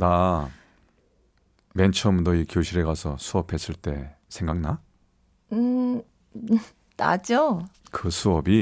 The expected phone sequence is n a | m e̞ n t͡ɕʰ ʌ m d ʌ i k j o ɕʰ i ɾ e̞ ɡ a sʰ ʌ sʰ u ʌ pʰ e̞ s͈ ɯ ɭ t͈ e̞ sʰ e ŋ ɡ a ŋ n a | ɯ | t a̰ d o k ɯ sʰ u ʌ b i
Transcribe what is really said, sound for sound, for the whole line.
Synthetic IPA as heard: n a | m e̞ n t͡ɕʰ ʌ m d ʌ i k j o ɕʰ i ɾ e̞ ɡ a sʰ ʌ sʰ u ʌ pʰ e̞ s͈ ɯ ɭ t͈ e̞ sʰ e ŋ ɡ a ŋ n a | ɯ | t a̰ d͡ʑ o k ɯ sʰ u ʌ b i